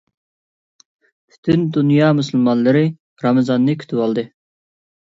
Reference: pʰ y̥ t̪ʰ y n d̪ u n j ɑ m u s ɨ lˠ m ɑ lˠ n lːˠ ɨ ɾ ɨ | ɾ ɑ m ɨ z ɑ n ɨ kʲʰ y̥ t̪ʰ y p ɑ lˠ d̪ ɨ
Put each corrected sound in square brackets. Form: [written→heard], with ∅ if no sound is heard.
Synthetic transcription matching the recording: pʰ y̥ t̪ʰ y n d̪ u n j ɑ m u s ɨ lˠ m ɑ [lˠ→∅] n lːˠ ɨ ɾ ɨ | ɾ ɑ m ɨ z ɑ [n→nː] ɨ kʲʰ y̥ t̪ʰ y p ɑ lˠ d̪ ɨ